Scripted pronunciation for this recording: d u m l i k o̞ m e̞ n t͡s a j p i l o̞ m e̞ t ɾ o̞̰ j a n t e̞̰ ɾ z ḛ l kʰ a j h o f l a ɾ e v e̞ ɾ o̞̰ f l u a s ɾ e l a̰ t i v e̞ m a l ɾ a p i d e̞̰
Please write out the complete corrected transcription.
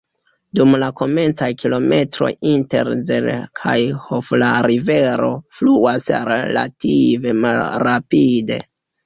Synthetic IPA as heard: d u m l a k o̞ m e̞ n t͡s a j k i l o̞ m e̞ t ɾ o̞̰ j i n t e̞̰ ɾ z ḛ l kʰ a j h o f l a ɾ i v e̞ ɾ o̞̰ f l u a s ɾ e l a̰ t i v e̞ m a l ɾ a p i d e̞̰